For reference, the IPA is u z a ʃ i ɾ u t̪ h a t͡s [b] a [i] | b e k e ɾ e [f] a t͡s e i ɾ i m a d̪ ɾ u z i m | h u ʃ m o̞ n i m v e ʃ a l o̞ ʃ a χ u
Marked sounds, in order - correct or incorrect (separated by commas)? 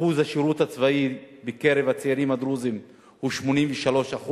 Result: incorrect, correct, incorrect